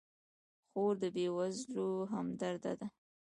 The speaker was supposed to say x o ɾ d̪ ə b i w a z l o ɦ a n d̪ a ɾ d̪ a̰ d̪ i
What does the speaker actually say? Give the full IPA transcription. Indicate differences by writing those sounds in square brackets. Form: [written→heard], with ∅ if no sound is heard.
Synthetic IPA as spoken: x o ɾ d̪ ə b [i→e] w a z l o ɦ a [n→m] d̪ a ɾ d̪ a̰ d̪ [i→a]